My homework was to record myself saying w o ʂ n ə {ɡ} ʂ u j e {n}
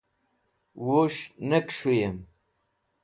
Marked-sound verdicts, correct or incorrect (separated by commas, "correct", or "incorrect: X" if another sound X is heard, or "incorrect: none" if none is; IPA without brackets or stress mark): incorrect: k, incorrect: m